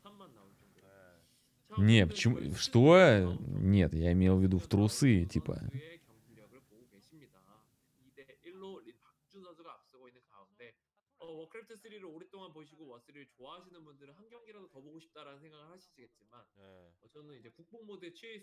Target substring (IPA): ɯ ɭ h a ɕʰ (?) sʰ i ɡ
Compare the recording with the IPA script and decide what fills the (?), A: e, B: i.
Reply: B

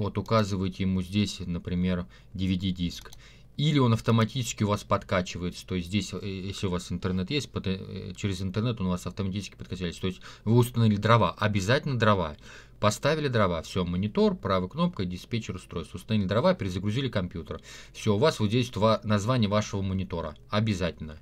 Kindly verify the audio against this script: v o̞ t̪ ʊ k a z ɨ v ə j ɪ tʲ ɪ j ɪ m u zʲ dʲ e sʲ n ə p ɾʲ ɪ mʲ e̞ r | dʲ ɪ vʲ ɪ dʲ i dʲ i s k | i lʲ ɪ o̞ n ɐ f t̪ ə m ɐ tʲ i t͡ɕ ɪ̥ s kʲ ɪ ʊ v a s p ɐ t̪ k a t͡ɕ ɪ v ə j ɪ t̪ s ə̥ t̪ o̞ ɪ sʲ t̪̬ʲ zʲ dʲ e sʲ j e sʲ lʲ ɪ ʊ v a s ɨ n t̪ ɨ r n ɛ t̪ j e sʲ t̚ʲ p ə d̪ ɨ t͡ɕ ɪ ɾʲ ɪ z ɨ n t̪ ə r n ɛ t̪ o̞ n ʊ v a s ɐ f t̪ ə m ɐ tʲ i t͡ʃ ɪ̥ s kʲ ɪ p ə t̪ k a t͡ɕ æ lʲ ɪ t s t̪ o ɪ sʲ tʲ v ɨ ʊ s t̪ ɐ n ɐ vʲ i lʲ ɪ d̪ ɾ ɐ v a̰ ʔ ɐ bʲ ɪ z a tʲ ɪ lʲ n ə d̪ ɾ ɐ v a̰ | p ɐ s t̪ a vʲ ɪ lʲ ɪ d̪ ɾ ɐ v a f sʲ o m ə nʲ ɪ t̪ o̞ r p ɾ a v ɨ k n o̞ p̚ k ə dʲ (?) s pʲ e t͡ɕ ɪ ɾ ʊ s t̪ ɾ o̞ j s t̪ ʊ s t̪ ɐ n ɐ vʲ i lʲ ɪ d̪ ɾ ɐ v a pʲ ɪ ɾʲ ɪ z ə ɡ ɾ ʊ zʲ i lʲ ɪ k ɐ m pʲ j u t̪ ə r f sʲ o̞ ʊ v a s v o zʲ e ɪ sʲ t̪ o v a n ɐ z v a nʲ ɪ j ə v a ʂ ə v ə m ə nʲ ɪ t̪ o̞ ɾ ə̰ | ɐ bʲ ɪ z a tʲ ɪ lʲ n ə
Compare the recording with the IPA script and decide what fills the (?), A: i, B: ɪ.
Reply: B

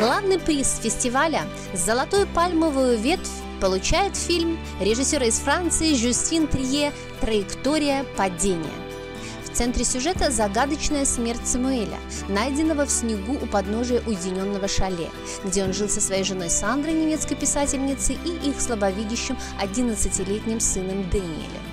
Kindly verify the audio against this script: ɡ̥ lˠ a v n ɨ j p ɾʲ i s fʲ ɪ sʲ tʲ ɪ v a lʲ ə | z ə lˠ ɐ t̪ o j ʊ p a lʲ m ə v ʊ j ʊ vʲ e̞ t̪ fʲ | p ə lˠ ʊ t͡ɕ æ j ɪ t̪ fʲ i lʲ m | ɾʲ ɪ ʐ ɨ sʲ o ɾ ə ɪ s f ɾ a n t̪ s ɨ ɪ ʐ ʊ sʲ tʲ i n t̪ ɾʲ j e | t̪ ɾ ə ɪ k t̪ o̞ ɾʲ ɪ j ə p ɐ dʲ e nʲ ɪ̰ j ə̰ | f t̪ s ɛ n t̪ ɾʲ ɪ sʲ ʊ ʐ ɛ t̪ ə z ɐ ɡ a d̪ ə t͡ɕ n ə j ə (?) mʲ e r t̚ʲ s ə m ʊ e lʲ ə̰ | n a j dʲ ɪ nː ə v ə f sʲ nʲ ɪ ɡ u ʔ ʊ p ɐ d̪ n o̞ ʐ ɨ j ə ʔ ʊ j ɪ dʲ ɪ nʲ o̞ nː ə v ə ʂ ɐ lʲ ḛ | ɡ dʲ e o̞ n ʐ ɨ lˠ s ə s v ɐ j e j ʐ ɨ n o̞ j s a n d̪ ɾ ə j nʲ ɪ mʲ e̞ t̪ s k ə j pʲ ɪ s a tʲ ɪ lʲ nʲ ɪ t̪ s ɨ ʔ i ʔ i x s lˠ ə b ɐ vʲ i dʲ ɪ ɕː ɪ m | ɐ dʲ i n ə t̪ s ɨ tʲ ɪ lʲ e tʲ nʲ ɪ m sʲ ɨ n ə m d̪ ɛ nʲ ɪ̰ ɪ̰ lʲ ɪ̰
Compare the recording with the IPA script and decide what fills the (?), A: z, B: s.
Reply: B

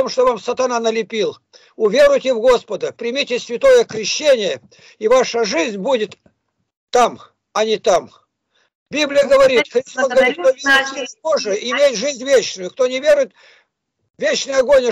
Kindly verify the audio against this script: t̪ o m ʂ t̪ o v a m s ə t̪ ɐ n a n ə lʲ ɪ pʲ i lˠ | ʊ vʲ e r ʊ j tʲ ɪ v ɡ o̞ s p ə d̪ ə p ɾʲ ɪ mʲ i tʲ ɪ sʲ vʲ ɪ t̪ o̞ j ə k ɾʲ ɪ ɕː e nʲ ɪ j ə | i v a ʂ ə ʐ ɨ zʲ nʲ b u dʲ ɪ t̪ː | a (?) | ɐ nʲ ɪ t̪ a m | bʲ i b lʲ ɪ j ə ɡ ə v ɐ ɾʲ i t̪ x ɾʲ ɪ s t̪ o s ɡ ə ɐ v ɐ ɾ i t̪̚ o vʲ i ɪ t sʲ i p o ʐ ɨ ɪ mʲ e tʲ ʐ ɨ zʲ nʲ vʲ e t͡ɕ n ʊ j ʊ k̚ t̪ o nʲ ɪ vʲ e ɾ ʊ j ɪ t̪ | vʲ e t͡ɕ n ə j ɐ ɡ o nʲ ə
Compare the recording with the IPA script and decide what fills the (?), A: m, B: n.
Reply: A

